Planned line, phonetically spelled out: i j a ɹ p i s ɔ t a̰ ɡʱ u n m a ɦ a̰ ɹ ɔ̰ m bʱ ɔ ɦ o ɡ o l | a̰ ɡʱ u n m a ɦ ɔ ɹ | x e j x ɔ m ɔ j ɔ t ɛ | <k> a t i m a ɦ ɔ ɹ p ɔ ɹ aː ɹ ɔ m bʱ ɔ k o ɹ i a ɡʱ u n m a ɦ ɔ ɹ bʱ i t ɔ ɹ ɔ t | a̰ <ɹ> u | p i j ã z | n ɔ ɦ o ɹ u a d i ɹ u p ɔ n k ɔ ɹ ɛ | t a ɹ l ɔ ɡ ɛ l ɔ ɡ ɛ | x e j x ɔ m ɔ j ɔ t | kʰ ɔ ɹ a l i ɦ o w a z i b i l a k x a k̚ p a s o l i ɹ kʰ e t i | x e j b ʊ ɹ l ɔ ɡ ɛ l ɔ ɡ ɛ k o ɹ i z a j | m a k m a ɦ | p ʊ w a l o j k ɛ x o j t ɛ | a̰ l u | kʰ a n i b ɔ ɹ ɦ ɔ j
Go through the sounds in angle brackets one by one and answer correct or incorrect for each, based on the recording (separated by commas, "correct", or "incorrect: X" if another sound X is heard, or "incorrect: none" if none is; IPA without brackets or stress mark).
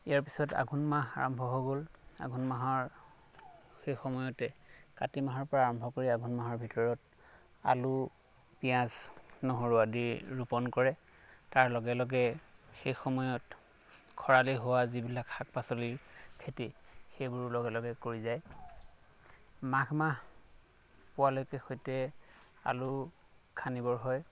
correct, incorrect: l